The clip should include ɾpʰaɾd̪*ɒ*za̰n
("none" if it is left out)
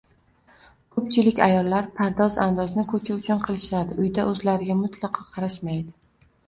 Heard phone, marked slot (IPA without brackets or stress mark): ɒ